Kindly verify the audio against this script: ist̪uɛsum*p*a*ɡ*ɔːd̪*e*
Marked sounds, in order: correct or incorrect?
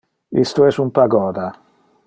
correct, correct, incorrect

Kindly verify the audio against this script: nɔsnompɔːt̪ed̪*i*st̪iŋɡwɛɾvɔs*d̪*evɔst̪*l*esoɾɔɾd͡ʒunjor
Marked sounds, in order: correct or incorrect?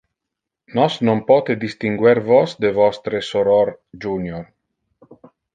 correct, correct, incorrect

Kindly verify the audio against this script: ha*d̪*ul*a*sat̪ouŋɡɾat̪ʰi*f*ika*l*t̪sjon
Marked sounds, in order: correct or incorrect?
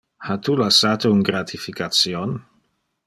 incorrect, correct, correct, incorrect

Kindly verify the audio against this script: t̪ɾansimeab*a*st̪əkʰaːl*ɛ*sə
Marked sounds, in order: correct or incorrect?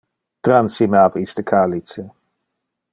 incorrect, incorrect

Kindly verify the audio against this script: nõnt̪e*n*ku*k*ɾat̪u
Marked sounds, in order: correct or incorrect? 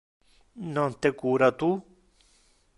incorrect, incorrect

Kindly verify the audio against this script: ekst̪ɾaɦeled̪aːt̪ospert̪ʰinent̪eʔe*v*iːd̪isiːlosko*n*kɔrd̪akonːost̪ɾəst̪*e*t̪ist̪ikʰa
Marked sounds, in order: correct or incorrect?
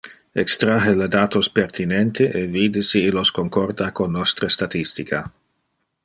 correct, incorrect, incorrect

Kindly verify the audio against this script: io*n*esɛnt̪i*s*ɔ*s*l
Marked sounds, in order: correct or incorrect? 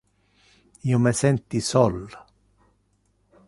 incorrect, correct, incorrect

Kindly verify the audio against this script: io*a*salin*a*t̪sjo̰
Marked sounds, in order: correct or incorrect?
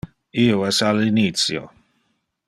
incorrect, incorrect

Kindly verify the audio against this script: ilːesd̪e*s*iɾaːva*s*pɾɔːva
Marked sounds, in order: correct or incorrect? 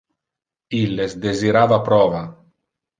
incorrect, incorrect

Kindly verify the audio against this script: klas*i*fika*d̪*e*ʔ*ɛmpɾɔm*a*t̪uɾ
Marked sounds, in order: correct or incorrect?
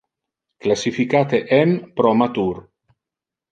correct, incorrect, correct, correct

